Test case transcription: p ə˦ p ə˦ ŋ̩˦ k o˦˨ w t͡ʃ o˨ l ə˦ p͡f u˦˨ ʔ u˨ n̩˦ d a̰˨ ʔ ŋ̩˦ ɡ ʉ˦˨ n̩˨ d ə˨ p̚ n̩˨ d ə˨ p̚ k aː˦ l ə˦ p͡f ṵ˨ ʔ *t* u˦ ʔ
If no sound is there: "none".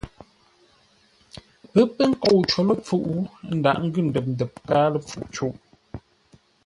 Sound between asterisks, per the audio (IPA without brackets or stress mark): t͡ʃ